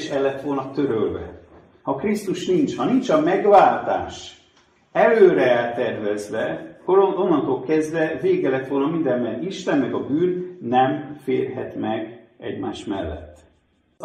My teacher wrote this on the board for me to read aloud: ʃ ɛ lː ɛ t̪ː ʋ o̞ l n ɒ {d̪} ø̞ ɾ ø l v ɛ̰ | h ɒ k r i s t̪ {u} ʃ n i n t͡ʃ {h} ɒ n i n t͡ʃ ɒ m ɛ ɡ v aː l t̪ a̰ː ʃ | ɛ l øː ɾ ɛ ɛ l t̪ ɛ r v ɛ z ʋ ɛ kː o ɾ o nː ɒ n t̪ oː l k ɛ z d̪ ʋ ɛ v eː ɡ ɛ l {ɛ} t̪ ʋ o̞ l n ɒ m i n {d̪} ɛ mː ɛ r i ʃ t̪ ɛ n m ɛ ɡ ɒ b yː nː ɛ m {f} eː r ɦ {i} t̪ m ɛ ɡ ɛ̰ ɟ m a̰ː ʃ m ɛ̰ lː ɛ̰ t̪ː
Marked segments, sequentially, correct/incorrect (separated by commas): incorrect, correct, correct, correct, correct, correct, incorrect